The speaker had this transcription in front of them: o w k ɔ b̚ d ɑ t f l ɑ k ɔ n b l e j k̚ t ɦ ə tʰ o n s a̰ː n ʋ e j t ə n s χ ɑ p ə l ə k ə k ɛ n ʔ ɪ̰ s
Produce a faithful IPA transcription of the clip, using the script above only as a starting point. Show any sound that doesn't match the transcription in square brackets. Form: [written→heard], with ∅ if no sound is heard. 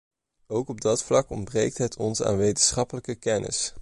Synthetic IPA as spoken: o w k ɔ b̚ d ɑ t f l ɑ k ɔ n b [l→r] e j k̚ t ɦ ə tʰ [o→ɔ] n s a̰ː n ʋ e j t ə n s χ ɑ p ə l ə k ə k ɛ n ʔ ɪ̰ s